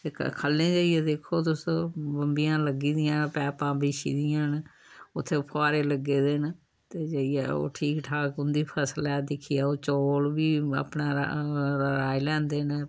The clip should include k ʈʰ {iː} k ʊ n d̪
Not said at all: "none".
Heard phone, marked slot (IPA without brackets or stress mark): aː